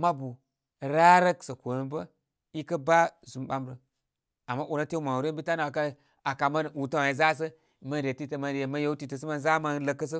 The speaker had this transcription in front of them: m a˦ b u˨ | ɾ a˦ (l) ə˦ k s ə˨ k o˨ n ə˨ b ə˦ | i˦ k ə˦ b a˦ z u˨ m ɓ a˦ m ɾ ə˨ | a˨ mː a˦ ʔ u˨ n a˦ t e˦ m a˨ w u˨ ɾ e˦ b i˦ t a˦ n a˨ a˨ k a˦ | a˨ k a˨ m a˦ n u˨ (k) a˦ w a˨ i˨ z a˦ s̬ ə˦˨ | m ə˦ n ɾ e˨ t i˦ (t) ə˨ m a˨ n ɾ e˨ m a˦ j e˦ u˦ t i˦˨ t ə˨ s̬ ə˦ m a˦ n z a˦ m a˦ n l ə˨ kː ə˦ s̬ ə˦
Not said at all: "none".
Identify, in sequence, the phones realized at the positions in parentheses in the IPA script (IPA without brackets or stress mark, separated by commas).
ɾ, t, t